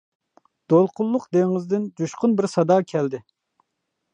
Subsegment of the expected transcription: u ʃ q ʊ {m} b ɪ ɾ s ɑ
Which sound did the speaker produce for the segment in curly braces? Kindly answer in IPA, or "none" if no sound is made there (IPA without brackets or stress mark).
n